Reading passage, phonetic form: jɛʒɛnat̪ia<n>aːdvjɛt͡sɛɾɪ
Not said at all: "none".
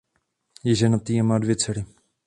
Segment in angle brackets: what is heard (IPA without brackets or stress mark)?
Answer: m